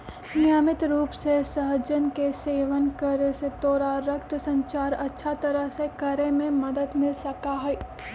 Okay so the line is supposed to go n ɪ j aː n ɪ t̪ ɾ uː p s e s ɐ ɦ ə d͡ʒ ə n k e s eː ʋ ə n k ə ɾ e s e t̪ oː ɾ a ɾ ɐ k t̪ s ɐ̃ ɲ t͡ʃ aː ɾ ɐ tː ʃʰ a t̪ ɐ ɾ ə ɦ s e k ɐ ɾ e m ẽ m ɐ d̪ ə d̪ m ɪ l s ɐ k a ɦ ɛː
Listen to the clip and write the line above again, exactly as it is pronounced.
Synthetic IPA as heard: n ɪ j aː m ɪ t̪ ɾ uː p s e s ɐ ɦ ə d͡ʒ ə n k e s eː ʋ ə n k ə ɾ e s e t̪ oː ɾ a ɾ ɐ k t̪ s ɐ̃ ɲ t͡ʃ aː ɾ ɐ tː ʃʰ a t̪ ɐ ɾ ə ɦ s e k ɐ ɾ e m ẽ m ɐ d̪ ə d̪ m ɪ l s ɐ k a ɦ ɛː